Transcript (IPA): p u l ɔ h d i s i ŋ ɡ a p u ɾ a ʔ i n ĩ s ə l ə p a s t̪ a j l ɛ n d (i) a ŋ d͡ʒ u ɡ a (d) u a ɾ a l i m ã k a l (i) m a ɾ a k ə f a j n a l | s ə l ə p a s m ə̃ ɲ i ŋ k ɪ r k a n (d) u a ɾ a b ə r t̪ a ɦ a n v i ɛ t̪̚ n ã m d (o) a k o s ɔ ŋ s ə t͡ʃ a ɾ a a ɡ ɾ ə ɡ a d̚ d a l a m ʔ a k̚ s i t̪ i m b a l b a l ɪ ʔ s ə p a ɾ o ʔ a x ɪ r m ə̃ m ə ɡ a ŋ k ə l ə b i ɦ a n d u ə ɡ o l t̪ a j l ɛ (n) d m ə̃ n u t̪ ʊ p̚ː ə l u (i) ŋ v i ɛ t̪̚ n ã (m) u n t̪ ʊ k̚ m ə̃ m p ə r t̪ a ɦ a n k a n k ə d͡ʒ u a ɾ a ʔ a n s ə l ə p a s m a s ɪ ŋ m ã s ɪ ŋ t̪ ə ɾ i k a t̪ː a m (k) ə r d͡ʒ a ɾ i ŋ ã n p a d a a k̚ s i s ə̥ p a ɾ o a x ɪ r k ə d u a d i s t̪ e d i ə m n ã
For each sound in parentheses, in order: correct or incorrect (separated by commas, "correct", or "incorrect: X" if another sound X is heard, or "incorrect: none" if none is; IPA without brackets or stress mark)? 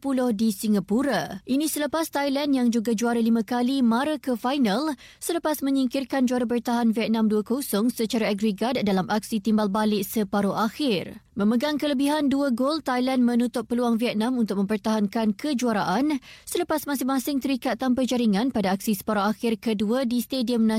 incorrect: j, incorrect: d͡ʒ, correct, incorrect: d͡ʒ, incorrect: u, correct, incorrect: a, correct, incorrect: p